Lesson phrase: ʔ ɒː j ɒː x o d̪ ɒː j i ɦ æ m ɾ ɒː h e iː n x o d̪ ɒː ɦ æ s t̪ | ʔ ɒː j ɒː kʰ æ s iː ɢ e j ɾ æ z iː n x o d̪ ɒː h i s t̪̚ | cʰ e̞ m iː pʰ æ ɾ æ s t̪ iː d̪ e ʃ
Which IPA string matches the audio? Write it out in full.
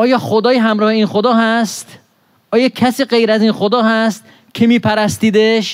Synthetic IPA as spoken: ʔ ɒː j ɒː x o d̪ ɒː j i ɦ æ m ɾ ɒː h e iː n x o d̪ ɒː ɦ æ s t̪ | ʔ ɒː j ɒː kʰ æ s iː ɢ e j ɾ æ z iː n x o d̪ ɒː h æ s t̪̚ | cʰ e̞ m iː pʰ æ ɾ æ s t̪ iː d̪ e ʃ